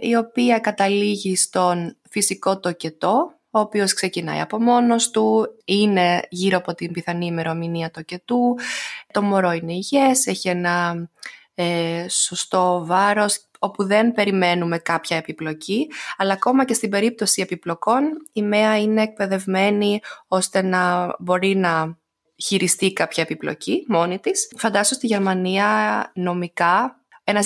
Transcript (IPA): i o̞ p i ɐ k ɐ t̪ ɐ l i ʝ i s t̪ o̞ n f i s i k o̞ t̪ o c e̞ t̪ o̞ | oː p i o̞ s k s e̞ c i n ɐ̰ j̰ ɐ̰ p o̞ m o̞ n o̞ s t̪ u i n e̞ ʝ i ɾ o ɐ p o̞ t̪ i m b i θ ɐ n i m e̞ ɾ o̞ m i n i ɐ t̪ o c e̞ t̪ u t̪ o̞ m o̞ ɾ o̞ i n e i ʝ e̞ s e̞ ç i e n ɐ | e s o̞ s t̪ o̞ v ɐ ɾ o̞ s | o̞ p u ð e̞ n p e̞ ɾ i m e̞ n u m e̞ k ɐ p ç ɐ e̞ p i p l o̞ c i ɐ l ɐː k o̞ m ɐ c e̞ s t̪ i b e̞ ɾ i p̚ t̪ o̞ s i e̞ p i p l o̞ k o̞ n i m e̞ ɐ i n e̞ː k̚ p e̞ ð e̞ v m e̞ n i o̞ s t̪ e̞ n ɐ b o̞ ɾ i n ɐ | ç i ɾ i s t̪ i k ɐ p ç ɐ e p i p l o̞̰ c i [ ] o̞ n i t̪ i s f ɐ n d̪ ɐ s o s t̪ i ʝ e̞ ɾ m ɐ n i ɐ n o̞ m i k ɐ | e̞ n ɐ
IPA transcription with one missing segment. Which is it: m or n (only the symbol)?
m